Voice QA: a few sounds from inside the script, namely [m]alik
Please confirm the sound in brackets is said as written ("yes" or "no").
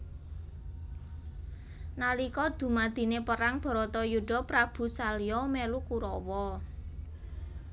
no